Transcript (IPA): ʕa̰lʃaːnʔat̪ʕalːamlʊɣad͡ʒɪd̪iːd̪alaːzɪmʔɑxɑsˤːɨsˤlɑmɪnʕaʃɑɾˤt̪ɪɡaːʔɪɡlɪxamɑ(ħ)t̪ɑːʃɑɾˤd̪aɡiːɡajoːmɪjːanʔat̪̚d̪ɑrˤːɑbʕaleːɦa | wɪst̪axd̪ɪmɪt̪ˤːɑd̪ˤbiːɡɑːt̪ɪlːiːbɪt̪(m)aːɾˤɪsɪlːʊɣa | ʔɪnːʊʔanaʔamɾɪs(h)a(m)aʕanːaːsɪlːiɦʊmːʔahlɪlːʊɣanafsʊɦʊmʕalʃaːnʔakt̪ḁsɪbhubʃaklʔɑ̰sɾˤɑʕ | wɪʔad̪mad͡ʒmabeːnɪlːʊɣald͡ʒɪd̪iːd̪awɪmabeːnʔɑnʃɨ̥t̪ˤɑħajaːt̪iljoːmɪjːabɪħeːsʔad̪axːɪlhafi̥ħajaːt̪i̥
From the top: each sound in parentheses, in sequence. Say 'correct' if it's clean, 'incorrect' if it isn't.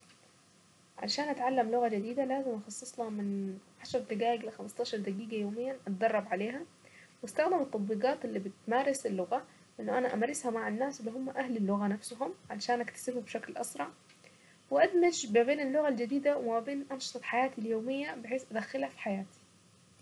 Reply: incorrect, correct, correct, correct

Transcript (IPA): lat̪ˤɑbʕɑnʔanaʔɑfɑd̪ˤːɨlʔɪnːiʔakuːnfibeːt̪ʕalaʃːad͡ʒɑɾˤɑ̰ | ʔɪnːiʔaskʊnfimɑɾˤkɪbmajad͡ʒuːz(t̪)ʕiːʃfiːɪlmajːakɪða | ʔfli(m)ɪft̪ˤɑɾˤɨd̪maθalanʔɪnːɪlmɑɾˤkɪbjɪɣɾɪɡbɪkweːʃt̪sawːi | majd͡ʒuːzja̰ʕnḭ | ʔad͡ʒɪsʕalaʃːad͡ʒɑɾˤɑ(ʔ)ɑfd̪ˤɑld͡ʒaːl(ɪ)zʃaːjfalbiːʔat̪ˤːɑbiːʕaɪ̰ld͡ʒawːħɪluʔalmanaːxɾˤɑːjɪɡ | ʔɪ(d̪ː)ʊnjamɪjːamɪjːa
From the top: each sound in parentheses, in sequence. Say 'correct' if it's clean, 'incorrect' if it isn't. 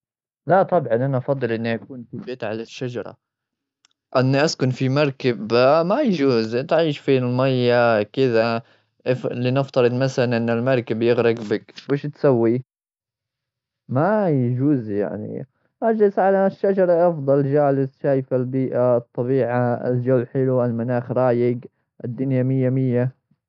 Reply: correct, incorrect, correct, correct, correct

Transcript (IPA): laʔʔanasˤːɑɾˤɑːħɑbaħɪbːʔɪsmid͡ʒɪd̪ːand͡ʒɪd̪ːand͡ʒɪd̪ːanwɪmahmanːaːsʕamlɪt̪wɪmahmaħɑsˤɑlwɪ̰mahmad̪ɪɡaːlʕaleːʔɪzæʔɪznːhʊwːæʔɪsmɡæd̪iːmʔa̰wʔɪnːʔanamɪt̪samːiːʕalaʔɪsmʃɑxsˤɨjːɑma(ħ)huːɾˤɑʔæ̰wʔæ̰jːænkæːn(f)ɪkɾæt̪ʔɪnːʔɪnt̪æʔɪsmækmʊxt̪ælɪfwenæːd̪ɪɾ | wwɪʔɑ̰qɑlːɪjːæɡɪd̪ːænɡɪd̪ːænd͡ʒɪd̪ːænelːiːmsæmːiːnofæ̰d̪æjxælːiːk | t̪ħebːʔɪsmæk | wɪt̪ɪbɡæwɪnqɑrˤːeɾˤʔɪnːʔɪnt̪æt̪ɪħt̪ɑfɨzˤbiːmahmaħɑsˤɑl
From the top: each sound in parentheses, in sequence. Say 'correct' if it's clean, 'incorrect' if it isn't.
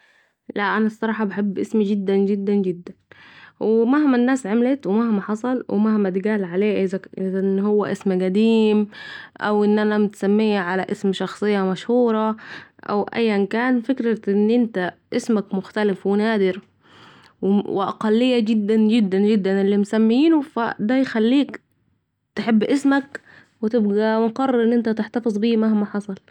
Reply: incorrect, correct

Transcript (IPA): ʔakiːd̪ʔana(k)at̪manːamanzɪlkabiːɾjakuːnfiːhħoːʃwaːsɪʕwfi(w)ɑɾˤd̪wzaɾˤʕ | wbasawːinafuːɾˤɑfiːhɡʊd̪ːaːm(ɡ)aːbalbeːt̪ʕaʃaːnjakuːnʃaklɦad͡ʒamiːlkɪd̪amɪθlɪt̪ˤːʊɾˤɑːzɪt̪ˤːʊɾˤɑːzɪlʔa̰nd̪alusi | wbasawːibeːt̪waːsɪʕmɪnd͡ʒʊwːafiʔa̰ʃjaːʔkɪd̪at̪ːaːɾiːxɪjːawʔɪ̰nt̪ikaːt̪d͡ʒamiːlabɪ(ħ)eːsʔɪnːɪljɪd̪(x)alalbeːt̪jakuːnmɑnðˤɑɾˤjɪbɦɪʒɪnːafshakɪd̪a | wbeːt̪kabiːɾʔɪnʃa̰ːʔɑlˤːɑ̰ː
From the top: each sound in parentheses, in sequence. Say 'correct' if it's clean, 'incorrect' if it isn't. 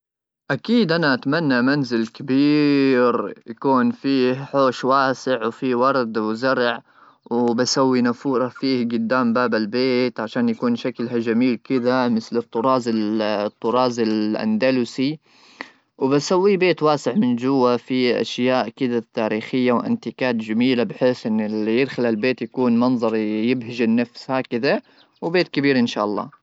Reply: incorrect, correct, incorrect, correct, correct

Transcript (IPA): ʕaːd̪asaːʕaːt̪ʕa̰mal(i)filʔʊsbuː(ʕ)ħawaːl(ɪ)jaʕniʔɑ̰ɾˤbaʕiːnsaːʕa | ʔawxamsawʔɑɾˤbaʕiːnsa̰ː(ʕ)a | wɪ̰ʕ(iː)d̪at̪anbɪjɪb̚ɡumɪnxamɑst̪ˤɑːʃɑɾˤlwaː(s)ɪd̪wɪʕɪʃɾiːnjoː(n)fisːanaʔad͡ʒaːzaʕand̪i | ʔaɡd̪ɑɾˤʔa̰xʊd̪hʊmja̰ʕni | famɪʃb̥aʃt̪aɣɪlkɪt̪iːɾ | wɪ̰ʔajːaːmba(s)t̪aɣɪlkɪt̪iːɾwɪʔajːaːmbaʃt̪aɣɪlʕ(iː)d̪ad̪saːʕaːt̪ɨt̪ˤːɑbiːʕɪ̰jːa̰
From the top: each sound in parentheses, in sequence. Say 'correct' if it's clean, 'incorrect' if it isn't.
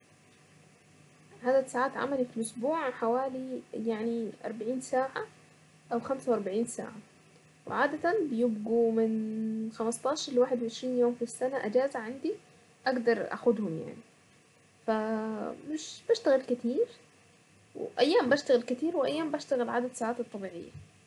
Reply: correct, correct, incorrect, correct, incorrect, incorrect, incorrect, incorrect, incorrect

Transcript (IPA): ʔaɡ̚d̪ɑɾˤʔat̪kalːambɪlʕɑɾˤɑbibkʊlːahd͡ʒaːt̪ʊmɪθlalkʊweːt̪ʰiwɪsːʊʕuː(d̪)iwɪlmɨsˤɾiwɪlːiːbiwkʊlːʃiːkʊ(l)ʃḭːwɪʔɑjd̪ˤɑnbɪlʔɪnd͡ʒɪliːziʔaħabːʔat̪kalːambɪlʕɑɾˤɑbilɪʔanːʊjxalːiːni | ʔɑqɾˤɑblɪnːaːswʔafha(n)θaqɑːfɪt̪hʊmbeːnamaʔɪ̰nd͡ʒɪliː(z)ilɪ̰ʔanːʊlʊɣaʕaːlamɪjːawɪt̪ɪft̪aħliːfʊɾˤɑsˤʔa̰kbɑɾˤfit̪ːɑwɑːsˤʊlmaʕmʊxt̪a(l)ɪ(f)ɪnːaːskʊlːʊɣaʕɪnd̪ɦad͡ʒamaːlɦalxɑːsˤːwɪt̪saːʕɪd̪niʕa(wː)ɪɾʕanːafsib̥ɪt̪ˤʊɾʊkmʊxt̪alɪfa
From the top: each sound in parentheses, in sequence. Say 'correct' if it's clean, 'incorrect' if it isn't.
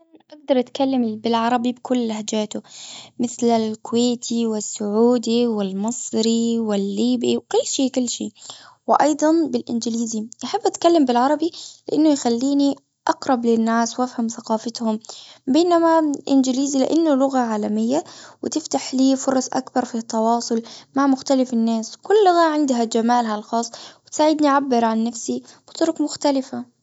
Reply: correct, incorrect, incorrect, correct, correct, correct, incorrect

